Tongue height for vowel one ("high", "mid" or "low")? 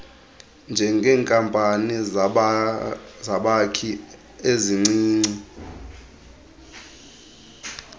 mid